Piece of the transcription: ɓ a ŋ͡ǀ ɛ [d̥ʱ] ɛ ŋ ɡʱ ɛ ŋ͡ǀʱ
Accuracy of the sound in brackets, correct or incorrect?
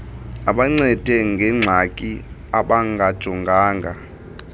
correct